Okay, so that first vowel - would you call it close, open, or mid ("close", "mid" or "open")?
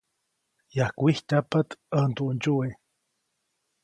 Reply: open